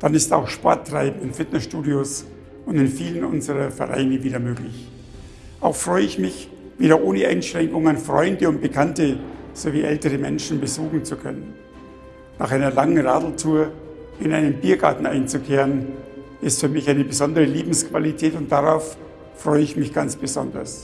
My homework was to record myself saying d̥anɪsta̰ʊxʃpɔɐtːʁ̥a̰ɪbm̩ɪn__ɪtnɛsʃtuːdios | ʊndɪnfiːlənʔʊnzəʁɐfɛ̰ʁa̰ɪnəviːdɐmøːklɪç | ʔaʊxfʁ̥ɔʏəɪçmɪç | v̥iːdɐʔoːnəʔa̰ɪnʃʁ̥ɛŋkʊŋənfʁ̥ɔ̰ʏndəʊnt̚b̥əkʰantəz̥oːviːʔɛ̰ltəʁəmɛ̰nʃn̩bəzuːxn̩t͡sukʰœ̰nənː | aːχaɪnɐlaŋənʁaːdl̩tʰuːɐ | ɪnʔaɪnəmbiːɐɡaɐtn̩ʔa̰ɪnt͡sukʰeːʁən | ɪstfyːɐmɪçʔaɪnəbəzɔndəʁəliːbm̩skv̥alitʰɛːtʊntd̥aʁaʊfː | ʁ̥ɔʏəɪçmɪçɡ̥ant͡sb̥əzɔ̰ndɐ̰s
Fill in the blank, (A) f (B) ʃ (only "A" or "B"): A